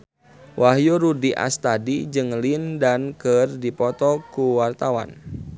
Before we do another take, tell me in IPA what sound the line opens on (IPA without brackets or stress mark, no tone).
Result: w